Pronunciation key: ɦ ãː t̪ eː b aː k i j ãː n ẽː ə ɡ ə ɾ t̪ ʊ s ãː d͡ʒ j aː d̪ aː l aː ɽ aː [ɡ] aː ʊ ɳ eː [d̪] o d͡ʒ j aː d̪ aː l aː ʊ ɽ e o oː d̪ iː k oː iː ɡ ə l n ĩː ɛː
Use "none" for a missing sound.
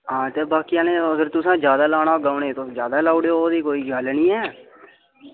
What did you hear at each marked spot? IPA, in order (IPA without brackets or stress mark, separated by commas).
ɡ, t̪